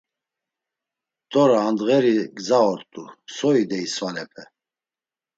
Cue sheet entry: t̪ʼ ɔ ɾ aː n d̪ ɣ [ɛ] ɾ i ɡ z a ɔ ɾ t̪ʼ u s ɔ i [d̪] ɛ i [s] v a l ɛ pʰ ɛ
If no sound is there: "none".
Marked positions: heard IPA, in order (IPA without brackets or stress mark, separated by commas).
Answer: ɛ, d̪, s